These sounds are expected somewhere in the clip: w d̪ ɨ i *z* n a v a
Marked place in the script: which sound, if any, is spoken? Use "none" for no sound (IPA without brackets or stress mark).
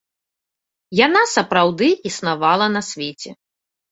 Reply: s